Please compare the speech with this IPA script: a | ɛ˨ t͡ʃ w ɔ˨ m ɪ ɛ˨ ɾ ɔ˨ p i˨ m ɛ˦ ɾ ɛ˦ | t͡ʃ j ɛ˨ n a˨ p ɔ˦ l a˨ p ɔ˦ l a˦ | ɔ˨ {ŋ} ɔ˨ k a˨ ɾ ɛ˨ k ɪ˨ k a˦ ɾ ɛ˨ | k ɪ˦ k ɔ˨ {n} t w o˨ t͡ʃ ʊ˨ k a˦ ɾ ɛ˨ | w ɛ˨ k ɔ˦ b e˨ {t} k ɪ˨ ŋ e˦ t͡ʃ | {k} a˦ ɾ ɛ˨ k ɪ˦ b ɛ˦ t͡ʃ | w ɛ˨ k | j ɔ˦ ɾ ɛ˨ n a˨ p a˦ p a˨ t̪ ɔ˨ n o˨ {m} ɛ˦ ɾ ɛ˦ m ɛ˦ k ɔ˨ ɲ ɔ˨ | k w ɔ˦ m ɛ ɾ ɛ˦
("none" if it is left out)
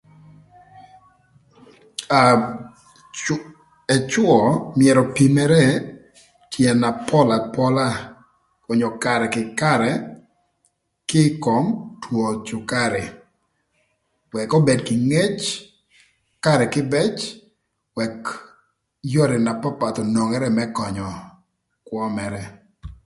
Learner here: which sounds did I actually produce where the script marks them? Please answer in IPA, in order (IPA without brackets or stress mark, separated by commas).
ɲ, m, d, k, ŋ